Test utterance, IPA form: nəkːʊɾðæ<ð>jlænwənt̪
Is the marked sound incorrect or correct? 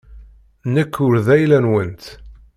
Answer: incorrect